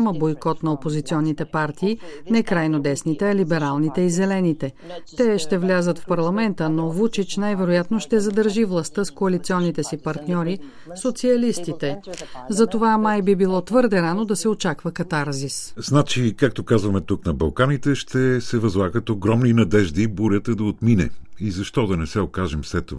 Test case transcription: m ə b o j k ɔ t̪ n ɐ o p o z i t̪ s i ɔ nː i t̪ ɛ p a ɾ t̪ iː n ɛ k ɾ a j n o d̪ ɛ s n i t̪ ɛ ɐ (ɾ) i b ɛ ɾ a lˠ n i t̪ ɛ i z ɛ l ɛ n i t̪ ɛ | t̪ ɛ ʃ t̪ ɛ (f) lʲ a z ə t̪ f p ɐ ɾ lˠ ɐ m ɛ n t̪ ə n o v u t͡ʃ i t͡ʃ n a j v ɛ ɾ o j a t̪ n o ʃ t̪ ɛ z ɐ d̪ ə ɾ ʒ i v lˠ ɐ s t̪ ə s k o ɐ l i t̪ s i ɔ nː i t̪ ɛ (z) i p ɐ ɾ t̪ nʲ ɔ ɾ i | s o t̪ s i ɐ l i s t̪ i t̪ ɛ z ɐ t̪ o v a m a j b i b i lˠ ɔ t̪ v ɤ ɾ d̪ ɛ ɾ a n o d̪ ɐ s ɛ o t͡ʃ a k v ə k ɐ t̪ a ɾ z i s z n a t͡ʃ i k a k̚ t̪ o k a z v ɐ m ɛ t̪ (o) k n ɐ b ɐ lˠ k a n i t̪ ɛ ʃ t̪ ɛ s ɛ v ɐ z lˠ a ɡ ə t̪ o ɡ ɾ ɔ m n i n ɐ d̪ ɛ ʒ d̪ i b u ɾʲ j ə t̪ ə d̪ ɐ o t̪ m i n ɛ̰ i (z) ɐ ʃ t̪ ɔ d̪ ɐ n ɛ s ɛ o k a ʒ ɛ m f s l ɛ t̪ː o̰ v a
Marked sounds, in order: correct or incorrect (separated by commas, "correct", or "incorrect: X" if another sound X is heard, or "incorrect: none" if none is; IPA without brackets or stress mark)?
incorrect: l, incorrect: v, incorrect: s, incorrect: u, correct